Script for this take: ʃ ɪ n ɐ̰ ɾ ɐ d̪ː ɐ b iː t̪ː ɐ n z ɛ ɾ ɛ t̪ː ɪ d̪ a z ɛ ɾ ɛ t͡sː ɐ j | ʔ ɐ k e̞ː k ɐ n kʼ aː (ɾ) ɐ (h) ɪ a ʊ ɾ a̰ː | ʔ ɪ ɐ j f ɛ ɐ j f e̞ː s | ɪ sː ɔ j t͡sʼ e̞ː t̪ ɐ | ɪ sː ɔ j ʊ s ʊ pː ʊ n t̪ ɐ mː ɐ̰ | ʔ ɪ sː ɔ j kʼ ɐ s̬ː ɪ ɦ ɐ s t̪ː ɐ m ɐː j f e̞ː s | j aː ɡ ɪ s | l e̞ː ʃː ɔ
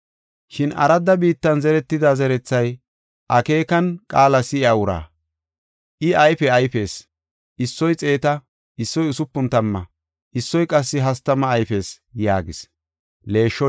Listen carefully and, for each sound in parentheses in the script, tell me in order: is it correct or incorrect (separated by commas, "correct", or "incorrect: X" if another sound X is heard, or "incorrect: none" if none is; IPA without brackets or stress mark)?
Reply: incorrect: l, incorrect: s